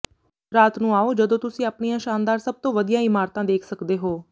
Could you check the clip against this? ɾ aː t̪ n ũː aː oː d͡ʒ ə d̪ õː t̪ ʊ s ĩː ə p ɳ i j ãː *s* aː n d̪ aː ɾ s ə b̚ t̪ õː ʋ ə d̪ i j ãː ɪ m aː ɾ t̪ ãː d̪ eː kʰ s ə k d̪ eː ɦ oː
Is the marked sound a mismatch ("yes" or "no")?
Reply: yes